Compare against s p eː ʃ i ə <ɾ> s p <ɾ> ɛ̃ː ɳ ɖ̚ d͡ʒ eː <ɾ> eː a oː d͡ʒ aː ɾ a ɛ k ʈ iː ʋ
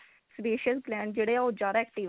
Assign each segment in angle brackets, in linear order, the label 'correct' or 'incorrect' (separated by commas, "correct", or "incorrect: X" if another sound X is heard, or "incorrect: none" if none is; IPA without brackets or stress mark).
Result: incorrect: none, incorrect: l, incorrect: ɽ